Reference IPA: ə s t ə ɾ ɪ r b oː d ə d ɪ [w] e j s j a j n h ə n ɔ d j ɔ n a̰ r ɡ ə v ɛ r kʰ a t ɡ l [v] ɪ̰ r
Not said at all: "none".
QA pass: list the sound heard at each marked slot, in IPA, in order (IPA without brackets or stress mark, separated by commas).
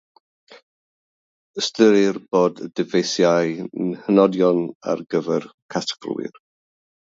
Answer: v, w